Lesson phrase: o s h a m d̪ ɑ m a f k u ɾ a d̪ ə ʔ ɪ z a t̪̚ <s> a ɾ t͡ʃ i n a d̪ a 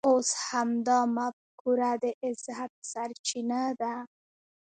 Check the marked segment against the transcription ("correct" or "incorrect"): correct